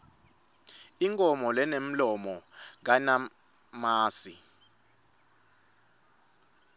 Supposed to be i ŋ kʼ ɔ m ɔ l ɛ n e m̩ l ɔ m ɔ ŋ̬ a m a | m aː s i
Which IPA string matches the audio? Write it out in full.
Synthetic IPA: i ŋ kʼ ɔ m ɔ l ɛ n e m̩ l ɔ m ɔ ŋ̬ a n a | m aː s i